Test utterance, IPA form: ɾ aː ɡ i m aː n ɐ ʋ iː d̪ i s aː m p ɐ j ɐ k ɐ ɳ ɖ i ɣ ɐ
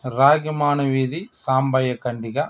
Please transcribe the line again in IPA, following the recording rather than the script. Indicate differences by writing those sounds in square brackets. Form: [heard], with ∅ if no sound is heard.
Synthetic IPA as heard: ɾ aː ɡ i m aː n ɐ ʋ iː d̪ i s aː m [b] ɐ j ɐ k ɐ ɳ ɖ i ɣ ɐ